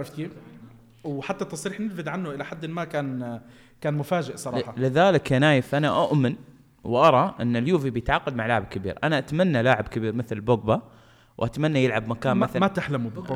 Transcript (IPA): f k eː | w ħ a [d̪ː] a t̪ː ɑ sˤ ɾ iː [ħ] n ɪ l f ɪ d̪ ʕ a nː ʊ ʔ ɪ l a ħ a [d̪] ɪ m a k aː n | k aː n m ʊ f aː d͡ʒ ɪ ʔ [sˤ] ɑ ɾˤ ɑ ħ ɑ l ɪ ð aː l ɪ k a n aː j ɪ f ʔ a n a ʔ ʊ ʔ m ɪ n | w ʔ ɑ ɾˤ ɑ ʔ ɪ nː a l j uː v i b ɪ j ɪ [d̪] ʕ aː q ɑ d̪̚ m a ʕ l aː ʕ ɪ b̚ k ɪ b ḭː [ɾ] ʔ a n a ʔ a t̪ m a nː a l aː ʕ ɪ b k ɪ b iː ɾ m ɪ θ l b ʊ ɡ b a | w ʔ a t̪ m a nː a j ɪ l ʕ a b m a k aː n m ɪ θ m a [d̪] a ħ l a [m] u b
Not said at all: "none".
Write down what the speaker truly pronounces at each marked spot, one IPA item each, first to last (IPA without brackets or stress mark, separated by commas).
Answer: t̪ː, ħ, d̪ː, sˤ, t̪, ɾ, t̪, m